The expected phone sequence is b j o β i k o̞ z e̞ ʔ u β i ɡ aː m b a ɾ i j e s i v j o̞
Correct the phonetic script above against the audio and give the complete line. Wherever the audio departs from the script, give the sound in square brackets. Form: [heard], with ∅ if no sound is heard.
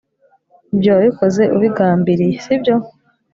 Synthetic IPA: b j o β i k o̞ z e̞ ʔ u β i ɡ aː m b [i] ɾ i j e s i [b] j o̞